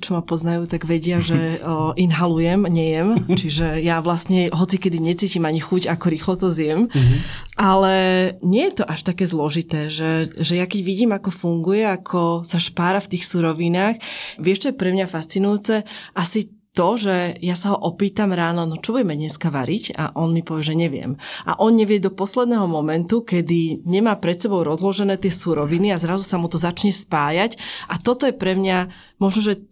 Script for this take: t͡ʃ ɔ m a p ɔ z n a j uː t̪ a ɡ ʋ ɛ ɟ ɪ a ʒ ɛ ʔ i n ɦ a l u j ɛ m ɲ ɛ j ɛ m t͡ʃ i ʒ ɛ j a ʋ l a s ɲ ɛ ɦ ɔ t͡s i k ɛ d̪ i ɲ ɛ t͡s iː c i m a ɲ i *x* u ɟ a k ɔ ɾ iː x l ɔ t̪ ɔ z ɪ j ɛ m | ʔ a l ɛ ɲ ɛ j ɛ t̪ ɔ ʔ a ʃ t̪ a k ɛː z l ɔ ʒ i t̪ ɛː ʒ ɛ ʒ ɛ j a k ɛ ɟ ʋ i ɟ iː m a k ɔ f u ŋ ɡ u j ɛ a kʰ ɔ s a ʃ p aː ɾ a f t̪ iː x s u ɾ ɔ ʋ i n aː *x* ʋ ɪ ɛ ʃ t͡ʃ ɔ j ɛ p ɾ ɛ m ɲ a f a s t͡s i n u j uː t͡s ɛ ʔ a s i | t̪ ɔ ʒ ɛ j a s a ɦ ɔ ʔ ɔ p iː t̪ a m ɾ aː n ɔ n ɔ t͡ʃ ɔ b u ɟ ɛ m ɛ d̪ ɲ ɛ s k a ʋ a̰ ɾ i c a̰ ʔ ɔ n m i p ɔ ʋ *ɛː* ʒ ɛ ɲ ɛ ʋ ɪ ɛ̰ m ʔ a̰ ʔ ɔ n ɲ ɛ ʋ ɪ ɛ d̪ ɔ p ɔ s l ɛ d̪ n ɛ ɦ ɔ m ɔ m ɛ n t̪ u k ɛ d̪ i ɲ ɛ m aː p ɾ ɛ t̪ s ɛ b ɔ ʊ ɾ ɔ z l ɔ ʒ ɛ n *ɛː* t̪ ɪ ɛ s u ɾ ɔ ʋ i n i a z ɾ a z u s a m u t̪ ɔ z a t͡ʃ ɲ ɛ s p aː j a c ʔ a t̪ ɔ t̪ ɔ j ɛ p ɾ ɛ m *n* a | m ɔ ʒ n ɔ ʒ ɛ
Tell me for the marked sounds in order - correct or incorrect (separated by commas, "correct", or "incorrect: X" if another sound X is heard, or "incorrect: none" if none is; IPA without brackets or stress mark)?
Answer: correct, correct, incorrect: ɛ, correct, incorrect: ɲ